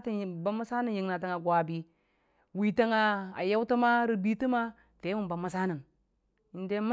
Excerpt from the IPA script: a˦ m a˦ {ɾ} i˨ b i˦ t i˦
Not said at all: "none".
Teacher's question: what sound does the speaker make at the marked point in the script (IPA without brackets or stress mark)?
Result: ɾ